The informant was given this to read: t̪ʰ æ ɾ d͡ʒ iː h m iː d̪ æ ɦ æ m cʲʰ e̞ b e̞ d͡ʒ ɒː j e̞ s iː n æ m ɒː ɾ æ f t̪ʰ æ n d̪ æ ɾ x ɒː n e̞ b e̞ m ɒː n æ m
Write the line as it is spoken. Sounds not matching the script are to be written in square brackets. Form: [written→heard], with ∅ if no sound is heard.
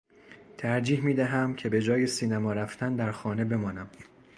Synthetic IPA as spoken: t̪ʰ æ ɾ d͡ʒ iː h m iː d̪ æ ɦ æ m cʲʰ e̞ b e̞ d͡ʒ ɒː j e̞ s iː n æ m ɒː ɾ æ f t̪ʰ æ n d̪ æ ɾ x ɒː n e̞ b e̞ m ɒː n æ m